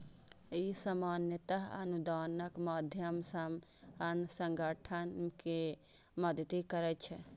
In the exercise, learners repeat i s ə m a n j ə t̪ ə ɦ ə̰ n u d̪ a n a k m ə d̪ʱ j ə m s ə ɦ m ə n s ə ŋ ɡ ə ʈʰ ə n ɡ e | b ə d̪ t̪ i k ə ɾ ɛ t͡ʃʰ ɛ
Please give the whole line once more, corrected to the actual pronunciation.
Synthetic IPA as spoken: i s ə m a n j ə t̪ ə ɦ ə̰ n u d̪ a n ə k m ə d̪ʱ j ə m s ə m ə n s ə ŋ ɡ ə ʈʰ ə n k e | m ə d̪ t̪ i k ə ɾ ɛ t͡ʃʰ ɛ